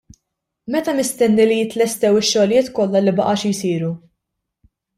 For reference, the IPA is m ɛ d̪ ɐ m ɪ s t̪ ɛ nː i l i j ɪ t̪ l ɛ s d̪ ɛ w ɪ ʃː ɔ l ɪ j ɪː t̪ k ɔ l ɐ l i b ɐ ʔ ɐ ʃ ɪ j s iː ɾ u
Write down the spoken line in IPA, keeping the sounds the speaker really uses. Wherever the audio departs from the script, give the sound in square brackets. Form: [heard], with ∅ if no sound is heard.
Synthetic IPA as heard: m ɛ [t̪] ɐ m ɪ s t̪ ɛ nː i l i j ɪ t̪ l ɛ s [t̪] ɛ w ɪ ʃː ɔ l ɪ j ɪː t̪ k ɔ [lː] ɐ l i b ɐ ʔ ɐ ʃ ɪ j s iː ɾ u